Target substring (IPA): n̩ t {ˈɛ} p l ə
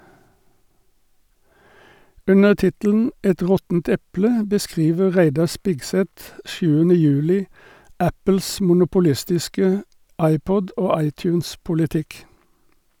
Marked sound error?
no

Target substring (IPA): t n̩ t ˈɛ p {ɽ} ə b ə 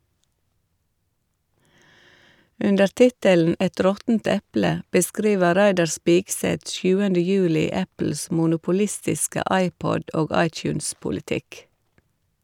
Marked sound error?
yes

